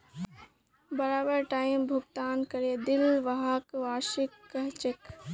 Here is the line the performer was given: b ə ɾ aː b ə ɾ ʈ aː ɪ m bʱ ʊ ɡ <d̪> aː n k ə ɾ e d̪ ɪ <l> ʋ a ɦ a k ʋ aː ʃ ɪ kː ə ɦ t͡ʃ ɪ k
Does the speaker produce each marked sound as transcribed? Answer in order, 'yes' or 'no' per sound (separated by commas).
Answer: no, yes